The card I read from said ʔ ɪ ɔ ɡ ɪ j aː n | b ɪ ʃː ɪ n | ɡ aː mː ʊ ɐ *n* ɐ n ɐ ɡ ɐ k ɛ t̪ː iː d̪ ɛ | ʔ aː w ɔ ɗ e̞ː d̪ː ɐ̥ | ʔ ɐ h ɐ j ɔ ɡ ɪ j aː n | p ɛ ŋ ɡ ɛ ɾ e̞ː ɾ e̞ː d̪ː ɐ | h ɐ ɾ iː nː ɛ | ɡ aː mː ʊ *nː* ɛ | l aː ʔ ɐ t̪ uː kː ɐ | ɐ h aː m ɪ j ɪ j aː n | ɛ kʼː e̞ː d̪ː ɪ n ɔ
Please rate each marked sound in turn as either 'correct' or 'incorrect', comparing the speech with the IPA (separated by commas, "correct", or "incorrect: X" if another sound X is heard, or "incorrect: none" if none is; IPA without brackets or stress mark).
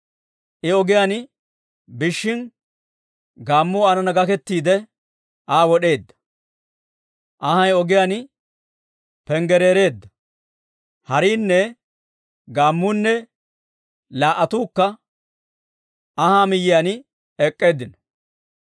correct, correct